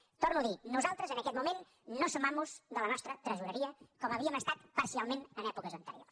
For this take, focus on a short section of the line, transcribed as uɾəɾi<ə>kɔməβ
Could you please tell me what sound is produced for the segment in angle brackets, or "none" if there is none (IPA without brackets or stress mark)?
ə